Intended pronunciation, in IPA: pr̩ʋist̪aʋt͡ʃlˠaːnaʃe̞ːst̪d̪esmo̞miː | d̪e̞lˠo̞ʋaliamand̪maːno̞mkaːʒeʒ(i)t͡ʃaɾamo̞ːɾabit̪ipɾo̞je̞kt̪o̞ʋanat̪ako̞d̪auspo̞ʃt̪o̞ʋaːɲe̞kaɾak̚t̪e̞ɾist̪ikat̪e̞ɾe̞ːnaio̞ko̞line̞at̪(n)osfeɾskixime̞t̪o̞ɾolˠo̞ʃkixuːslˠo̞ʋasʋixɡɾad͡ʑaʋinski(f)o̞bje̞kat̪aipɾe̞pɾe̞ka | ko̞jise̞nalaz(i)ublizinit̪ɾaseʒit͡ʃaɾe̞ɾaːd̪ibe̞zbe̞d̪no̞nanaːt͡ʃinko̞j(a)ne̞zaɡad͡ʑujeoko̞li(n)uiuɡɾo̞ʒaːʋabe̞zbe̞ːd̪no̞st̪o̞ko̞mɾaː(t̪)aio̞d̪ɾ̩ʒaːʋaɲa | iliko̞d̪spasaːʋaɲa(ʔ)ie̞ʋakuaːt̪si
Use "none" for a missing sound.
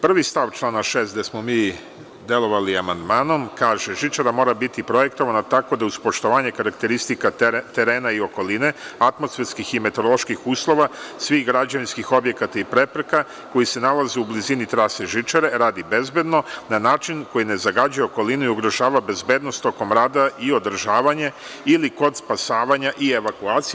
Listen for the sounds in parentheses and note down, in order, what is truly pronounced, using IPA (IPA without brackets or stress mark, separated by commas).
i, m, x, e, i, n, d̪, ʔ